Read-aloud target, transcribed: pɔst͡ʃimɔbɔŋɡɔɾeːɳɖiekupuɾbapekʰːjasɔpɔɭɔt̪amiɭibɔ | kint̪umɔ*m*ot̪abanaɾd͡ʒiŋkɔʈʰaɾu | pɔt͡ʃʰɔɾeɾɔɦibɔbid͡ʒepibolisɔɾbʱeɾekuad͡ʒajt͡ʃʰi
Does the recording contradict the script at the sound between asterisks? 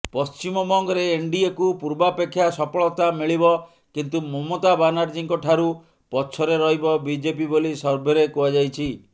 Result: no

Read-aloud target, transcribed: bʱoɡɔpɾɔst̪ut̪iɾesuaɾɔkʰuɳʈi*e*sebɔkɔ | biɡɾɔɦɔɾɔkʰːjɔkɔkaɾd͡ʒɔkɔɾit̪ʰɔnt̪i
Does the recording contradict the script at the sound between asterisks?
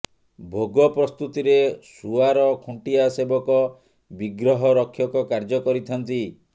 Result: yes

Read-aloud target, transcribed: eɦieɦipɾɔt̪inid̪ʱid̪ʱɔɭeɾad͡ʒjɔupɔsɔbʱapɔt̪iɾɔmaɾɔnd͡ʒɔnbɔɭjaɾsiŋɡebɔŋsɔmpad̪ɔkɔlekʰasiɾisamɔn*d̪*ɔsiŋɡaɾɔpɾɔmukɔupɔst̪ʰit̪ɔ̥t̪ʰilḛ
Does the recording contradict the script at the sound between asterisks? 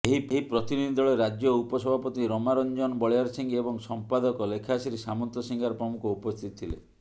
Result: yes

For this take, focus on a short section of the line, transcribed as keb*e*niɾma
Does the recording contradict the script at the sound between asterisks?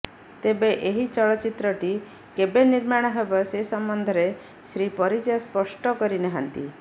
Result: no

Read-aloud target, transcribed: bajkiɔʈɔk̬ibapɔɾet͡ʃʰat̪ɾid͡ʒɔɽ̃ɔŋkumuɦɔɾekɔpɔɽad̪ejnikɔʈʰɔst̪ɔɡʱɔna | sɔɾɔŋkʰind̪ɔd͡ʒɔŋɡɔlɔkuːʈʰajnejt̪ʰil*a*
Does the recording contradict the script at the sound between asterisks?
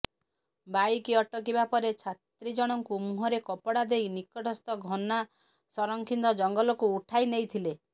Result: yes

